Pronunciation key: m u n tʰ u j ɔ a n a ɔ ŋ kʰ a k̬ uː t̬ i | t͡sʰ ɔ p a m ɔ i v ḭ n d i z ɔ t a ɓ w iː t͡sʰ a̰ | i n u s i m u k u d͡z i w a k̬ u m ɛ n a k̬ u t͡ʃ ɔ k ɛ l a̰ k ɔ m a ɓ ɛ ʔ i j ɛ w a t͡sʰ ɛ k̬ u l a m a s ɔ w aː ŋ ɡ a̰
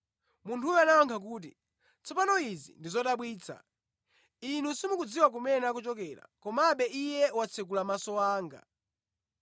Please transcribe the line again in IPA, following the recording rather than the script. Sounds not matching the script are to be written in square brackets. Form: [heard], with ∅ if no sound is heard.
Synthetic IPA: m u n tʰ u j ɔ a n a ɔ ŋ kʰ a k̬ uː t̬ i | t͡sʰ ɔ p a [n] ɔ i [z] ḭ n d i z ɔ t a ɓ w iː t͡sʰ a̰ | i n u s i m u k u d͡z i w a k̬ u m ɛ n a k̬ u t͡ʃ ɔ k ɛ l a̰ k ɔ m a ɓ ɛ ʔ i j ɛ w a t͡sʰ ɛ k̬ u l a m a s ɔ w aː ŋ ɡ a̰